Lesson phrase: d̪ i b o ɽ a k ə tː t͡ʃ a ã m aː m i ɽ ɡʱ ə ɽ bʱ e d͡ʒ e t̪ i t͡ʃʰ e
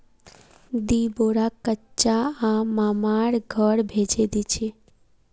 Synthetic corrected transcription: d̪ i b o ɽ a k ə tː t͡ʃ a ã m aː m a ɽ ɡʱ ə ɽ bʱ e d͡ʒ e d̪ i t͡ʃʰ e